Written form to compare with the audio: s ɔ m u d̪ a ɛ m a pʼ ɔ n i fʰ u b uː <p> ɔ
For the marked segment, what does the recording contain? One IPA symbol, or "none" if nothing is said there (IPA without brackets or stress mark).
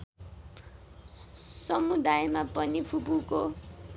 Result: k